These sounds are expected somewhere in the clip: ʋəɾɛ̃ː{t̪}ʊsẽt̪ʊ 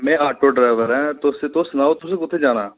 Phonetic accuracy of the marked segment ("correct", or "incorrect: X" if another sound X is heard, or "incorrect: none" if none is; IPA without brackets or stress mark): correct